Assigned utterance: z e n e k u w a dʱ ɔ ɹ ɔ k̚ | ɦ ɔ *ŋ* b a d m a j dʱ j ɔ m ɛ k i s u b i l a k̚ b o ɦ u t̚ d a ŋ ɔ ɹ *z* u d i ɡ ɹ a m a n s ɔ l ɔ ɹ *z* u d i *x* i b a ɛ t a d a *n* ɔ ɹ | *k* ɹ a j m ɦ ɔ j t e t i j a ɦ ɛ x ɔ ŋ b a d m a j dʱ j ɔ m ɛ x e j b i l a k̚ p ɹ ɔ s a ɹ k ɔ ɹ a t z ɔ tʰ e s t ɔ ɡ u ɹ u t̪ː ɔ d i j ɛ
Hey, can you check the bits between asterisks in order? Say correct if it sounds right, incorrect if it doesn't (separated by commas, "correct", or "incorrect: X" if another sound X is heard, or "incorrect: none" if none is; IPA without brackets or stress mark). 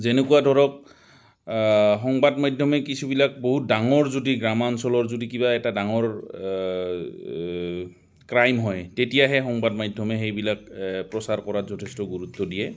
correct, correct, correct, incorrect: k, incorrect: ŋ, correct